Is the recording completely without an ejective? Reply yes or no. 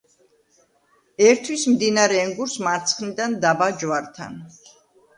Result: yes